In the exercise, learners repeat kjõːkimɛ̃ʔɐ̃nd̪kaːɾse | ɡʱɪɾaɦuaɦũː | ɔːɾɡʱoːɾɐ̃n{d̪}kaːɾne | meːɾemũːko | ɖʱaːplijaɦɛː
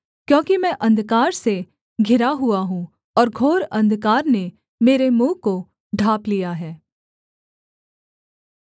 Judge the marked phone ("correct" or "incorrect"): correct